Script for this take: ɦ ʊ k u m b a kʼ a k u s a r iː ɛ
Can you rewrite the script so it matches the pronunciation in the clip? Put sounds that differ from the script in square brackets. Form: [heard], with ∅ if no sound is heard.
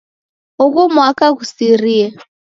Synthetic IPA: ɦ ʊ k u m [w] a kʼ a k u s [i] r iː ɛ